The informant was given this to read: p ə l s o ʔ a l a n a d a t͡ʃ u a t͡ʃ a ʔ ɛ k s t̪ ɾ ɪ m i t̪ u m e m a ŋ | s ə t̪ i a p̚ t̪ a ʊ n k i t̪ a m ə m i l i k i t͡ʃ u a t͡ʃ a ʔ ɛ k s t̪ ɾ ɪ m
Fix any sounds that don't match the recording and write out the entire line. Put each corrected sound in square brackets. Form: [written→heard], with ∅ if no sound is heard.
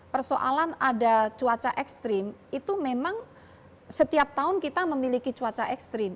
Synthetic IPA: p ə [l→r] s o ʔ a l a n a d a t͡ʃ u a t͡ʃ a ʔ ɛ k s t̪ ɾ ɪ m i t̪ u m e m a ŋ | s ə t̪ i a p̚ t̪ a ʊ n k i t̪ a m ə m i l i k i t͡ʃ u a t͡ʃ a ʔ ɛ k s t̪ ɾ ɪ m